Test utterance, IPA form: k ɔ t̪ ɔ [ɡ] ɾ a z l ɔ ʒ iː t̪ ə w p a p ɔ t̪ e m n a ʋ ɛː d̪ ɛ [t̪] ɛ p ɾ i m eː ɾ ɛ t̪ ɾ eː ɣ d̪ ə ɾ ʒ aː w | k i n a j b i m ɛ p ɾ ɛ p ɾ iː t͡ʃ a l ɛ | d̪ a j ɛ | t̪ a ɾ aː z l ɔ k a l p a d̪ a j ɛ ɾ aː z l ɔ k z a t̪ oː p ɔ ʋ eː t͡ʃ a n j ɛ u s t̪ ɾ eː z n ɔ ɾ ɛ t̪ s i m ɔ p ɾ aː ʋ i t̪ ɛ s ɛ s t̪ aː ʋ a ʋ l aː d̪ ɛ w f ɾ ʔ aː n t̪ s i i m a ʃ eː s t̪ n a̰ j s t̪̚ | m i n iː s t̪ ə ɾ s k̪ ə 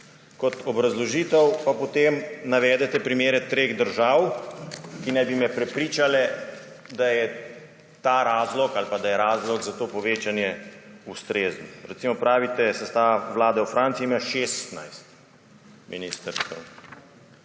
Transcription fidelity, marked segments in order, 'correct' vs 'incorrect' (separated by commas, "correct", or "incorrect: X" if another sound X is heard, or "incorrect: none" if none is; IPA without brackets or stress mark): incorrect: b, correct